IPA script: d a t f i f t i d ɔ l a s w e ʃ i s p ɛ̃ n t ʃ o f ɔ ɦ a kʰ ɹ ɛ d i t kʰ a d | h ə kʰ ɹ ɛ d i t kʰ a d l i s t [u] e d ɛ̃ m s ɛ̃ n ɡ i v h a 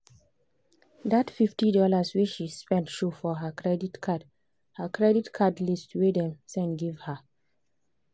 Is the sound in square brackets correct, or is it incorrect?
incorrect